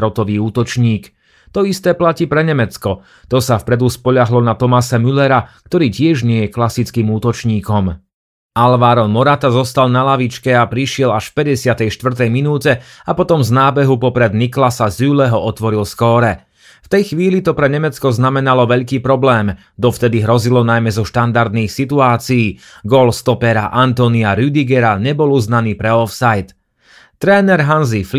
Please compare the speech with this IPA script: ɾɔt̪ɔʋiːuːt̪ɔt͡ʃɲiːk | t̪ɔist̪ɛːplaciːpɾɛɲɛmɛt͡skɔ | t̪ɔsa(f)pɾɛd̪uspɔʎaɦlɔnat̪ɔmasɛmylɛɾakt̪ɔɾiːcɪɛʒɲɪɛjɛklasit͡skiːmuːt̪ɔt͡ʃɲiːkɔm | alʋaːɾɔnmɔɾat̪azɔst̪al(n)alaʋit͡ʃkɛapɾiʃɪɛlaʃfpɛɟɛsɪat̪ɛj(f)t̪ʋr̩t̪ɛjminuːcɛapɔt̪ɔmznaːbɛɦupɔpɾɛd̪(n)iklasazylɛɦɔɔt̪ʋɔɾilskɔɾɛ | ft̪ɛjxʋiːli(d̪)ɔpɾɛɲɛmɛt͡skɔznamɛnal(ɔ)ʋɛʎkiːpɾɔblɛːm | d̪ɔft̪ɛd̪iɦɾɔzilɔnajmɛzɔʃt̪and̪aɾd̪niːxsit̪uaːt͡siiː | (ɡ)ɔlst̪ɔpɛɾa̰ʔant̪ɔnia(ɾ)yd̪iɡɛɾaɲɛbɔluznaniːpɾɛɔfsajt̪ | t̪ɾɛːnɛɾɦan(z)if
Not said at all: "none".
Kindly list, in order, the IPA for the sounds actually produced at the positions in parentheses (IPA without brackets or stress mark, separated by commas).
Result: f, n, ʃ, n, t̪, ɔ, ɡ, ɾ, z